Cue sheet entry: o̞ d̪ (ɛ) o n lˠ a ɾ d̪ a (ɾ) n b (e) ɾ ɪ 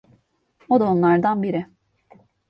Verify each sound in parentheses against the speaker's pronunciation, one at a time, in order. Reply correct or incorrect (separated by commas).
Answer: incorrect, incorrect, incorrect